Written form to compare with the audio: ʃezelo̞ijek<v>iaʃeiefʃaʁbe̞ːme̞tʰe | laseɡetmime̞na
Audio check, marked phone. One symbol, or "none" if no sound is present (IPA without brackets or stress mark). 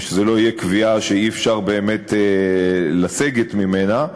v